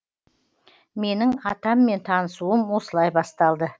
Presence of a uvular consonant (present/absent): absent